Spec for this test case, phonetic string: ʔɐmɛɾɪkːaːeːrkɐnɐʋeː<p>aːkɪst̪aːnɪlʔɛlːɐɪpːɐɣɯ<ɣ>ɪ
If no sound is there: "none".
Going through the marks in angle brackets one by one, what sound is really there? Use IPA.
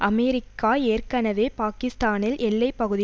p, ð

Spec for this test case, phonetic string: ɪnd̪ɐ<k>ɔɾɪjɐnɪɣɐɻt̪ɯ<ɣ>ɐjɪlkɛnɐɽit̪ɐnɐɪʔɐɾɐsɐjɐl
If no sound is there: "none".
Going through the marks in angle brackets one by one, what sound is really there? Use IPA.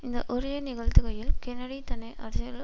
ʔ, ɣ

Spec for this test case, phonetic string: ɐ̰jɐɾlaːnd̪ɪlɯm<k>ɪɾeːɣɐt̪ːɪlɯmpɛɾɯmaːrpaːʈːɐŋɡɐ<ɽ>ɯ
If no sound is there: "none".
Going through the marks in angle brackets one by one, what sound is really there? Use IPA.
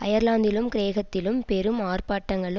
k, ɭ

